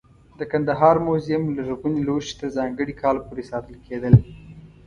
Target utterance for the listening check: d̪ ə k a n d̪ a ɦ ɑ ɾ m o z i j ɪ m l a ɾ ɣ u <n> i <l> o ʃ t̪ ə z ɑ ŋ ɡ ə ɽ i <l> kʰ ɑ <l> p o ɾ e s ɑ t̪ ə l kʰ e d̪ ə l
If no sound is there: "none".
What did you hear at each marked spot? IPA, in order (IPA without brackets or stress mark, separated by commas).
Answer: n, l, none, l